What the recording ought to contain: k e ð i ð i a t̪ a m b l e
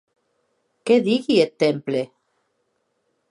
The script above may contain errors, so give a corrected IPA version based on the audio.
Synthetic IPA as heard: k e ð i ɣ i e t̪ e m p l e